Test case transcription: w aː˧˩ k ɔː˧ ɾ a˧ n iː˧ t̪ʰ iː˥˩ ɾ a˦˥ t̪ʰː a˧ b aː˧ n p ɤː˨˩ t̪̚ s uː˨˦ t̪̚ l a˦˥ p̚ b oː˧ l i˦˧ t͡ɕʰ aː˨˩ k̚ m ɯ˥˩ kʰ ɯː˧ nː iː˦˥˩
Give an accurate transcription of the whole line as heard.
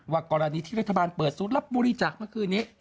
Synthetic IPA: w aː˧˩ k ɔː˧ ɾ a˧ n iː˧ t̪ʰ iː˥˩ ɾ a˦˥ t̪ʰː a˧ b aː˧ n p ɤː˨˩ t̪̚ s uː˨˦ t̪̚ l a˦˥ p̚ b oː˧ ɾ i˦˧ t͡ɕ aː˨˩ k̚ m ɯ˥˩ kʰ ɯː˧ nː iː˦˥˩